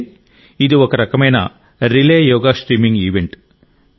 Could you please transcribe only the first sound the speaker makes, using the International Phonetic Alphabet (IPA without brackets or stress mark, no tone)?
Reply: i